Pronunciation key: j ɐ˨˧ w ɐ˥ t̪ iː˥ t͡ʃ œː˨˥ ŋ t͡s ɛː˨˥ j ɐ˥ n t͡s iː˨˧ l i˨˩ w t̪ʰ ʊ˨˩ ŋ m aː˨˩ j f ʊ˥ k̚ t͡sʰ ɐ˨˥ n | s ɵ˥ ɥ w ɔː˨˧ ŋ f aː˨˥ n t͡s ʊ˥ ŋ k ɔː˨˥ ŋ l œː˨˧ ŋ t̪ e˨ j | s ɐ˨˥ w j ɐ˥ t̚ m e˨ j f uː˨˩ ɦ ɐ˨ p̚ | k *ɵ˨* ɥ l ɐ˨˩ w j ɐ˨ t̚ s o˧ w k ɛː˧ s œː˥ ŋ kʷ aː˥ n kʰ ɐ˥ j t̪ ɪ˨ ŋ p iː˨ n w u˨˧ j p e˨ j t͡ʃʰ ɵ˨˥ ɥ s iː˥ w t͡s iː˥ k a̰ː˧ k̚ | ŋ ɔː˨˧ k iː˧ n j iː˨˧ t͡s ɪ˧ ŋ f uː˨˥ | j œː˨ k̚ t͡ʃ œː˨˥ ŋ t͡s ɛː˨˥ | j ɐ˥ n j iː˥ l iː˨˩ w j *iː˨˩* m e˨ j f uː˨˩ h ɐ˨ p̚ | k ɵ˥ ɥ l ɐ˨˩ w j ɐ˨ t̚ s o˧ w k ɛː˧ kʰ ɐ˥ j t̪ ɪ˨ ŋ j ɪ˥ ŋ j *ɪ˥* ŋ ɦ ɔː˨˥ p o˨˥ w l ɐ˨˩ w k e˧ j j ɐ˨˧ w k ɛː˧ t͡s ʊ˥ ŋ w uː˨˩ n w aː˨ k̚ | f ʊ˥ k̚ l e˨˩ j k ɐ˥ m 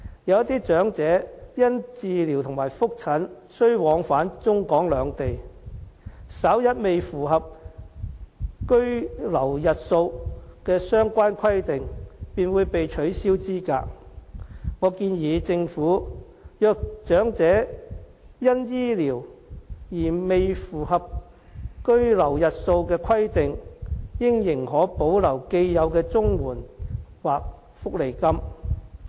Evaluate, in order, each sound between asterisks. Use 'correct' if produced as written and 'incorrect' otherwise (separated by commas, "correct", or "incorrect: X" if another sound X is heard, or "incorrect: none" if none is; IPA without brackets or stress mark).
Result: incorrect: ɵ˥, correct, incorrect: ɪ˨˩